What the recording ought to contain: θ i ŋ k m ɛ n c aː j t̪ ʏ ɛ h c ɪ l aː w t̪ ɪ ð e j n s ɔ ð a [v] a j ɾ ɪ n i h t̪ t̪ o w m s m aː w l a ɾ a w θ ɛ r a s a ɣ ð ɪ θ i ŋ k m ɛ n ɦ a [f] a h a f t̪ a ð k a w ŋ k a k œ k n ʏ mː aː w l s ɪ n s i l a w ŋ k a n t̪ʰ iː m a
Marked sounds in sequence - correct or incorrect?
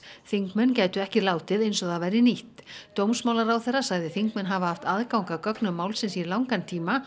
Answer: correct, incorrect: v

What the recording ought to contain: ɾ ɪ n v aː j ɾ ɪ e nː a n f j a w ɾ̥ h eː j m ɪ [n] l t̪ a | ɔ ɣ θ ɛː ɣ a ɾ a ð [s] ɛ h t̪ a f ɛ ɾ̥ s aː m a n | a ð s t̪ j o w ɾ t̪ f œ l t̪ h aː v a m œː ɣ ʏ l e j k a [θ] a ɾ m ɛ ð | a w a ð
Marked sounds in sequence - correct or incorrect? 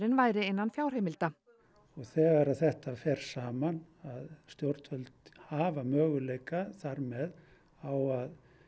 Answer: incorrect: none, incorrect: θ, correct

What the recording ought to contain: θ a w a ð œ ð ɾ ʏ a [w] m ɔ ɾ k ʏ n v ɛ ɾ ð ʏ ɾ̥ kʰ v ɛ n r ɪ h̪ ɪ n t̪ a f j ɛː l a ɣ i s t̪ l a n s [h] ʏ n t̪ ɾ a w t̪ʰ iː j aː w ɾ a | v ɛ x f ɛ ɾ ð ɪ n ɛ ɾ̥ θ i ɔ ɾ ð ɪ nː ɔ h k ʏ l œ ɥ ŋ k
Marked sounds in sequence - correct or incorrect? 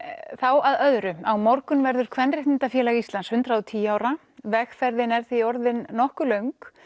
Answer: correct, correct

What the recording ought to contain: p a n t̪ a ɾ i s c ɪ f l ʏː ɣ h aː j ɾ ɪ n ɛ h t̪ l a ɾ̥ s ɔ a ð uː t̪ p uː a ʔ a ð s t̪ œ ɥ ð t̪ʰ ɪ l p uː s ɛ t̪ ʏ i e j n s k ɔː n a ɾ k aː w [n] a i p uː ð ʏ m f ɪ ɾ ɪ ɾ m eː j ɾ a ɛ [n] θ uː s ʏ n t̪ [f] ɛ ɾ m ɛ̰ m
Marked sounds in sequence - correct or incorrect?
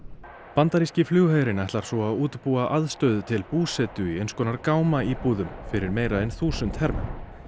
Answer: incorrect: m, correct, incorrect: h

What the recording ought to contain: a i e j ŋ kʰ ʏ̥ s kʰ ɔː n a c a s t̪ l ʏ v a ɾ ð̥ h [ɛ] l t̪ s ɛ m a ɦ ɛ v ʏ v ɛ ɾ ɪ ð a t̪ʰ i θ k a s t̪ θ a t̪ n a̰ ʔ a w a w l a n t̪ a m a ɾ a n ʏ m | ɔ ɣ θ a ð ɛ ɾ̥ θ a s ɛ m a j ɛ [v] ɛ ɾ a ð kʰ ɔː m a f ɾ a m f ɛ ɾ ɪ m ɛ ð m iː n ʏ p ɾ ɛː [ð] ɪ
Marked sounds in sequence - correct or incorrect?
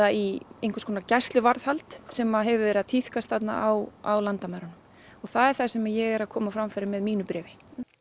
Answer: incorrect: a, incorrect: ɣ, incorrect: v

